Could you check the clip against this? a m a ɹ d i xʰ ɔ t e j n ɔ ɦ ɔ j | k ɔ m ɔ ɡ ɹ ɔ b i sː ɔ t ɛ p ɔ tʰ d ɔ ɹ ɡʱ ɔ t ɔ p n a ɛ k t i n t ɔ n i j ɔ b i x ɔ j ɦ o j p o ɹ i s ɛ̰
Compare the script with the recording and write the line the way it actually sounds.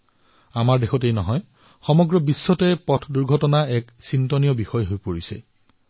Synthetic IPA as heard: a m a ɹ d e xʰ ɔ t e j n ɔ ɦ ɔ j | x ɔ m ɔ ɡ ɹ ɔ b i sː ɔ t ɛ p ɔ tʰ d u ɹ ɡʱ ɔ t ɔ n a ɛ k s i n t ɔ n i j ɔ b i x ɔ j ɦ o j p o ɹ i s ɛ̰

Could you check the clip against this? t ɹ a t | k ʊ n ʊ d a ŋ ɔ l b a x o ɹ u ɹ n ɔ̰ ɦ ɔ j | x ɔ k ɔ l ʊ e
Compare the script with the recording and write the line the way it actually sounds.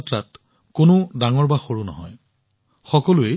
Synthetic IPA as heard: t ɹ a t | k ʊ n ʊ d a ŋ ɔ ɹ b a x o ɹ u n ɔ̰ ɦ ɔ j | x ɔ k ɔ l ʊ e

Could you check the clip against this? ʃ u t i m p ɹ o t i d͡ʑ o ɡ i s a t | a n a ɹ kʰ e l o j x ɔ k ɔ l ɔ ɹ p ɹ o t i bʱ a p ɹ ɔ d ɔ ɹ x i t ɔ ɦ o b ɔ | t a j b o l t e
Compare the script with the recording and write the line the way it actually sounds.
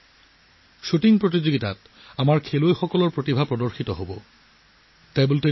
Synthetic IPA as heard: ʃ u t i ŋ p ɹ o t i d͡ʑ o ɡ i t a t | a m a ɹ kʰ e l o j x ɔ k ɔ l ɔ ɹ p ɹ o t i bʱ a p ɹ ɔ d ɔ ɹ x i t ɔ ɦ o b ɔ | t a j b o l t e

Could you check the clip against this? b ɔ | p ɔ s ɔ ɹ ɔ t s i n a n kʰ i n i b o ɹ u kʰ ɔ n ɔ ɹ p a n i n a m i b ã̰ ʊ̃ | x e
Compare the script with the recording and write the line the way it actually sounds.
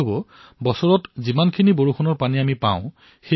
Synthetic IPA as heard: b ɔ | b ɔ s ɔ ɹ ɔ t z i m a n kʰ i n i b o ɹ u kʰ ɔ n ɔ ɹ p a n i a m i p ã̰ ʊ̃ | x e

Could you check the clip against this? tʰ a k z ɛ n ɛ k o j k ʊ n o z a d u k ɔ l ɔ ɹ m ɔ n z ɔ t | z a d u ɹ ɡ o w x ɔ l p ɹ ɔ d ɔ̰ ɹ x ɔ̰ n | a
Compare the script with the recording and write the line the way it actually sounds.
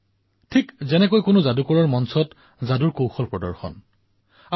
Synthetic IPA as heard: tʰ i k z ɛ n ɛ k o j k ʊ n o z a d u k ɔ ɹ ɔ ɹ m ɔ n s ɔ t | z a d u ɹ k o w x ɔ l p ɹ ɔ d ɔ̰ ɹ x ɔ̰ n | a

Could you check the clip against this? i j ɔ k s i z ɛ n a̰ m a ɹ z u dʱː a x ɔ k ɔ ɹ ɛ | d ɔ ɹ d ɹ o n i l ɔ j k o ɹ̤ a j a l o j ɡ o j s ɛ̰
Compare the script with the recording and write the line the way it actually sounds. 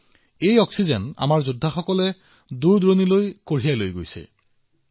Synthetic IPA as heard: e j ɔ k s i z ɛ n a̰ m a ɹ z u dʱː a x ɔ k ɔ l ɛ | d u ɹ d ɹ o n i l o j k o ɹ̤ i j a l o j ɡ o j s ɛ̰

